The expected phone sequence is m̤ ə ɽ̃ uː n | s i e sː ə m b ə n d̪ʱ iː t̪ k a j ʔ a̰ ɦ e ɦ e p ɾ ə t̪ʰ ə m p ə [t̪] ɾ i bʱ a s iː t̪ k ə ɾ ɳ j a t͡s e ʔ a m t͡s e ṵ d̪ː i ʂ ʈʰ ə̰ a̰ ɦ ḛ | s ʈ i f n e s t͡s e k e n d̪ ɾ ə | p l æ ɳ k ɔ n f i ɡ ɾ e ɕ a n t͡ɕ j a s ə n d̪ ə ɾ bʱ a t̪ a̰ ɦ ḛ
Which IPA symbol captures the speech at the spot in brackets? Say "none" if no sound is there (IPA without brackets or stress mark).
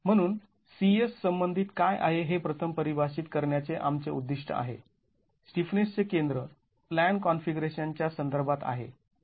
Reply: none